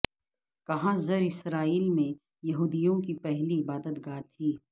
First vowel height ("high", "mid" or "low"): low